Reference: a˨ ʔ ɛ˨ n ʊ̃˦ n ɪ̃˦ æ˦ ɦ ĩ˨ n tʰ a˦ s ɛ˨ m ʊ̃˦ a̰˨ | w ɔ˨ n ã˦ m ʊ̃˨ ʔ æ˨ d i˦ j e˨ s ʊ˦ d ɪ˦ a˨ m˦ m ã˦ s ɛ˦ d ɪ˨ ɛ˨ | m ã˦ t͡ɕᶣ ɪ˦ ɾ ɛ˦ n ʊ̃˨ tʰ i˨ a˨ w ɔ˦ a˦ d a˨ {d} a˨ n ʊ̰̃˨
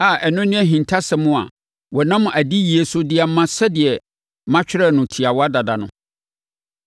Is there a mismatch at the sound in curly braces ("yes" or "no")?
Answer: no